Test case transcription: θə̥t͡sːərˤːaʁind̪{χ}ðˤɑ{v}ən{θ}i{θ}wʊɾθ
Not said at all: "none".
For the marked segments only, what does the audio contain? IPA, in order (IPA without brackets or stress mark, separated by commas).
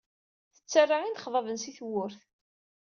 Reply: χ, v, s, θ